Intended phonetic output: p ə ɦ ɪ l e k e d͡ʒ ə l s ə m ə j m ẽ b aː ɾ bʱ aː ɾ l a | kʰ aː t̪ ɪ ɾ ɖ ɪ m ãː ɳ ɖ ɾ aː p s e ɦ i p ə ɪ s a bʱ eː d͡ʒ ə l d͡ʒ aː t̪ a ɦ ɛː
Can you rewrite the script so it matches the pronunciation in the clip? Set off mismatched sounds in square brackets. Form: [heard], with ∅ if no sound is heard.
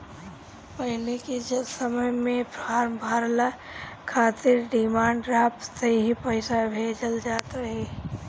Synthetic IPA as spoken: p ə ɦ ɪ l e k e d͡ʒ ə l s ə m ə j m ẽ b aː ɾ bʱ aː ɾ l a | kʰ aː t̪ ɪ ɾ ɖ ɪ m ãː ɳ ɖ ɾ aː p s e ɦ i p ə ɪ s a bʱ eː d͡ʒ ə l d͡ʒ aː t̪ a ɦ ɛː